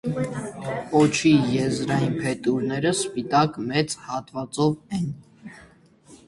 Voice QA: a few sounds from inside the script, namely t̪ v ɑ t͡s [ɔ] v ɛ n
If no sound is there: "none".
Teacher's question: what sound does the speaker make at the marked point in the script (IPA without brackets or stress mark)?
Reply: ɔ